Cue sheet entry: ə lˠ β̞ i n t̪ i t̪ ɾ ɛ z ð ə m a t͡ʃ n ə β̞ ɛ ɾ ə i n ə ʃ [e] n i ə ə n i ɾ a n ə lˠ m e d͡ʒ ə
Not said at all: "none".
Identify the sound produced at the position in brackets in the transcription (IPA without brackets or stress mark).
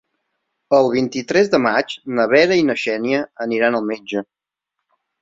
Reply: ɛ